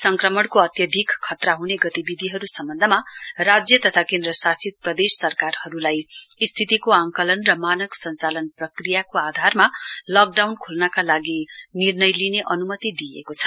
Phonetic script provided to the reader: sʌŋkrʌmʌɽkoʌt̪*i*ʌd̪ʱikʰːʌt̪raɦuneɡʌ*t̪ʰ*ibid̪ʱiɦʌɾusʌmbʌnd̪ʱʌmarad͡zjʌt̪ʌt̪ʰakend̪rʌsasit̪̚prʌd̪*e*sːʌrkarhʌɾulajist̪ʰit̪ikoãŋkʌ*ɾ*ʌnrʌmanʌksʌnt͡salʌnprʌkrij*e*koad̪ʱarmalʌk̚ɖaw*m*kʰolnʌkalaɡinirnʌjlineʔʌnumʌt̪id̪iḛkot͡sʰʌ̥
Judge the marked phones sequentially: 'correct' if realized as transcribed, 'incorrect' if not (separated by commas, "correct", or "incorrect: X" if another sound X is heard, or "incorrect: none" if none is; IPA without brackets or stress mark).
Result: incorrect: j, incorrect: t̪, correct, incorrect: l, incorrect: a, incorrect: n